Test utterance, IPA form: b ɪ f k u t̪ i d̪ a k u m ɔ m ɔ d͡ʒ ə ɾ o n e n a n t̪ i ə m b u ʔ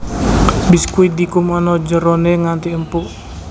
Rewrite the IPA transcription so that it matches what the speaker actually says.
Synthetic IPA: b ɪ s k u i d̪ i k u m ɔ n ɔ d͡ʒ ə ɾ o n e ŋ a n t̪ i ə m p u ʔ

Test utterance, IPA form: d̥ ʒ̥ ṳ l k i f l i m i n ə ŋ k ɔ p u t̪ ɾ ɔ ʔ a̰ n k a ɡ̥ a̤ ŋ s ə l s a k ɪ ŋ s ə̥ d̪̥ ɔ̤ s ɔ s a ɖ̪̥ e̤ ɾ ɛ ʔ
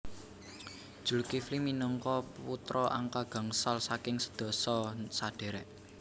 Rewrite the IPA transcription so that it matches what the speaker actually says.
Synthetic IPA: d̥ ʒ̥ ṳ l k i f l i m i n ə ŋ k ɔ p u t̪ ɾ ɔ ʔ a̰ ŋ k a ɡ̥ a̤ ŋ s a l s a k ɪ ŋ s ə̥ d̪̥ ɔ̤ s ɔ s a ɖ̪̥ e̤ ɾ ɛ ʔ

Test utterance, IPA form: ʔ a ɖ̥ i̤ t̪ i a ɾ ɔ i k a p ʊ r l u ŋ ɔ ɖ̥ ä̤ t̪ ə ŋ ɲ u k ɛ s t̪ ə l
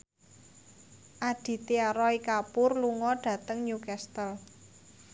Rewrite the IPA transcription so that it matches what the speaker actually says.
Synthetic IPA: ʔ a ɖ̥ i̤ t̪ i a ɾ ɔ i k a p ʊ r l u ŋ ɔ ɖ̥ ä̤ t̪ ə ŋ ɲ u k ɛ s t̪ ə l

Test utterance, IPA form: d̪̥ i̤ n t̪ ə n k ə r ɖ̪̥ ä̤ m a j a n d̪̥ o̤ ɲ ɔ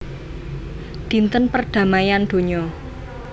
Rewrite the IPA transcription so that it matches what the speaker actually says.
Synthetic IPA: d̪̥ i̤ n t̪ ə n p ə r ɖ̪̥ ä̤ m a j a n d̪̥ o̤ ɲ ɔ

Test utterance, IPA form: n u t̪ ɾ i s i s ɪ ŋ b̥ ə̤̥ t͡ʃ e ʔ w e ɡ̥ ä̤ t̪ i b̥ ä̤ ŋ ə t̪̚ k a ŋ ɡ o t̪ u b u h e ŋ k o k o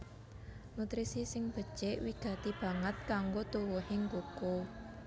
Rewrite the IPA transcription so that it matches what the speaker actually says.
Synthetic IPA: n u t̪ ɾ i s i s ɪ ŋ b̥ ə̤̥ t͡ʃ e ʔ w i ɡ̥ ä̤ t̪ i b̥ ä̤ ŋ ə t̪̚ k a ŋ ɡ o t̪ u w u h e ŋ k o k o

